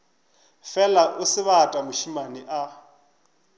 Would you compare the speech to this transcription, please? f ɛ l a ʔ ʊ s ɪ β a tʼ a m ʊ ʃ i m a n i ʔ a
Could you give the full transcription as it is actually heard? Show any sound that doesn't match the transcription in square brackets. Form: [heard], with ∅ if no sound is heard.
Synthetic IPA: f ɛ l a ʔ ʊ s ɪ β a tʼ a m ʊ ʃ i m a n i ʔ a